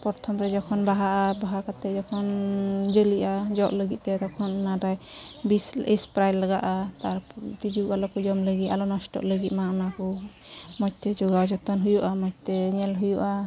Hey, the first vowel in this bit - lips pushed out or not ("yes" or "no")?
yes